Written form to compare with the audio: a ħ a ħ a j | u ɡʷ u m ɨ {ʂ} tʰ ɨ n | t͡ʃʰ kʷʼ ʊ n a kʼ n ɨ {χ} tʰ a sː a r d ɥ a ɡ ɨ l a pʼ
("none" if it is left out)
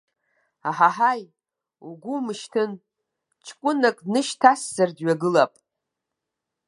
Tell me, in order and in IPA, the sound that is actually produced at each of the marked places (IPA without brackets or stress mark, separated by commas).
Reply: ʃ, ʃ